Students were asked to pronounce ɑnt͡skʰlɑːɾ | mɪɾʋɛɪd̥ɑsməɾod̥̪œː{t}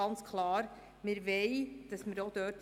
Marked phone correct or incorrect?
correct